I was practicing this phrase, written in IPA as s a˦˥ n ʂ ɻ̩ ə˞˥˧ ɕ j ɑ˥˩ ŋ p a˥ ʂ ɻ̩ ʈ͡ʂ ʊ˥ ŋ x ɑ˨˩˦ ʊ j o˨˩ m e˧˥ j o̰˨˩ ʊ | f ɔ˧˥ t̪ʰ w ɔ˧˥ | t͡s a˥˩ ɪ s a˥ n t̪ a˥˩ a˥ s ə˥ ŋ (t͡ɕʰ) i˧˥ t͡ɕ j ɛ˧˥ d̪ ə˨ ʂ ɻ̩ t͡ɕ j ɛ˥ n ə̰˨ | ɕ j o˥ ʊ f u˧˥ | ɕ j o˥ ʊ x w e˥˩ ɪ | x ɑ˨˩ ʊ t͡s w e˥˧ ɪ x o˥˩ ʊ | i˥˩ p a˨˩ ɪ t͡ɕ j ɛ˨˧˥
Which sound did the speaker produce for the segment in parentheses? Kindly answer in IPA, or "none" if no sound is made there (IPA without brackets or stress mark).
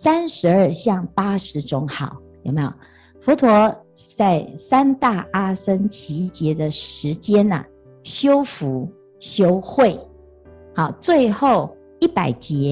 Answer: t͡ɕʰ